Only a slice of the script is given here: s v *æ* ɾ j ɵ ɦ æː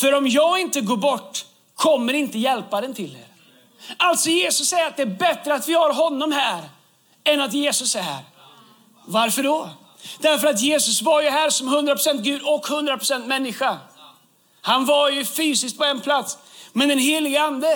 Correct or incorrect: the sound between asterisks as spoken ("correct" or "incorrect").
incorrect